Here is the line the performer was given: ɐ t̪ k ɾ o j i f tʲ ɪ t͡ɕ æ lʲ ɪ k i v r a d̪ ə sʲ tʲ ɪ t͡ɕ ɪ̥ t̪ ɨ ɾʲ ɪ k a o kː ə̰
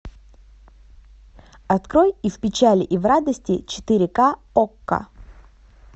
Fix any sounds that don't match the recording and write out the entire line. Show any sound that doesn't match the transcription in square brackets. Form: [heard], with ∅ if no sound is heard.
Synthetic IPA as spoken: ɐ t̪ k ɾ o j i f [pʲ] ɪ t͡ɕ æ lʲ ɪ [ʔ] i v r a d̪ ə sʲ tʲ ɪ t͡ɕ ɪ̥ t̪ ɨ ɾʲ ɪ k a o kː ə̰